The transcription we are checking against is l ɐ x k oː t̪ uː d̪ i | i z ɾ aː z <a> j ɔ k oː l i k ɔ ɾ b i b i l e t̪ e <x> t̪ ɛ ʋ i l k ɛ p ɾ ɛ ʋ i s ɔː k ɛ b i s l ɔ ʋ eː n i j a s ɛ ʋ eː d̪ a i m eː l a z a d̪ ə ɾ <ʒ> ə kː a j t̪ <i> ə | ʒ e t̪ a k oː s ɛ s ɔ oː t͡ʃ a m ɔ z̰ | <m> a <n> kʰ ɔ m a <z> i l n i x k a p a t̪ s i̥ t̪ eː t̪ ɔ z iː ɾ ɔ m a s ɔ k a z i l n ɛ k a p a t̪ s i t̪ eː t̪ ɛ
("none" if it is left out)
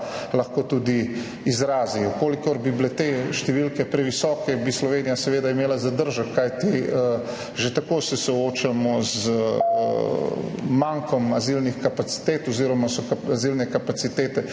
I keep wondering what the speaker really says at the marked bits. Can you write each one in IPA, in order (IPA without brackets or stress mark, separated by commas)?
i, ʃ, ʒ, i, m, ŋ, z